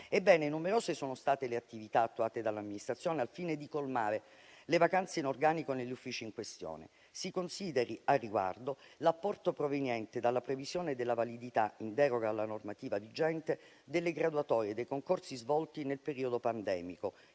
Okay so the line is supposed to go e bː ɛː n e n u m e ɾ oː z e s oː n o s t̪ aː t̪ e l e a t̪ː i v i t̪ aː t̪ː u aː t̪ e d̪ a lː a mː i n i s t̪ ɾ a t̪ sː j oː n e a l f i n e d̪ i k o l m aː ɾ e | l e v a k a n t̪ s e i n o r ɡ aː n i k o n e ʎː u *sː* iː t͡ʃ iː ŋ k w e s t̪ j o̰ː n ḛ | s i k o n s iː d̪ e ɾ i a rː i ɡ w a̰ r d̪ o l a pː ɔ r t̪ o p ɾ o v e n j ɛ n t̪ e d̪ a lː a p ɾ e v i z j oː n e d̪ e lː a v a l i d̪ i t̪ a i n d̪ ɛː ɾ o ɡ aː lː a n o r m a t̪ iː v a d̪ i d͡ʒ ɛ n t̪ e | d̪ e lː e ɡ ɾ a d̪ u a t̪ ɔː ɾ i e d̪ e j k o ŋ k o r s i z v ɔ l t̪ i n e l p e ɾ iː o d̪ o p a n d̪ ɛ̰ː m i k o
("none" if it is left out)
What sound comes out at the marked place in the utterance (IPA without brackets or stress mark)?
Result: fː